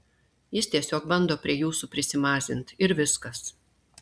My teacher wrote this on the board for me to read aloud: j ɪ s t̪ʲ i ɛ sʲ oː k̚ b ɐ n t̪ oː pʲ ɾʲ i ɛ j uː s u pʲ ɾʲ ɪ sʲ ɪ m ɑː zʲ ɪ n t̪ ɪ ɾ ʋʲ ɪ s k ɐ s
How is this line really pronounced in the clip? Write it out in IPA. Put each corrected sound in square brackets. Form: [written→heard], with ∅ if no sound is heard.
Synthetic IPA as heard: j ɪ s t̪ʲ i ɛ sʲ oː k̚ b ɐ n [t̪→d̪] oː pʲ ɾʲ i ɛ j uː s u pʲ ɾʲ ɪ sʲ ɪ m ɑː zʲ ɪ n t̪ ɪ ɾ ʋʲ ɪ s k ɐ s